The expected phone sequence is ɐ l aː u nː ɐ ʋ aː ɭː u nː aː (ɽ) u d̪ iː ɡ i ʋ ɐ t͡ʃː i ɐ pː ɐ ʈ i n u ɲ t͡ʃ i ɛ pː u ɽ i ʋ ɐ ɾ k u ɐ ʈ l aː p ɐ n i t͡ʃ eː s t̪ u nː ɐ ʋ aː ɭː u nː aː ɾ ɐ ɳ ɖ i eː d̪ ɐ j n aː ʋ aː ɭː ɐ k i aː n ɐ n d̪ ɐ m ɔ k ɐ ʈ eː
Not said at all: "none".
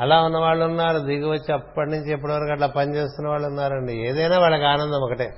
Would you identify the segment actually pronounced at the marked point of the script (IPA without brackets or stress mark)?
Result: ɾ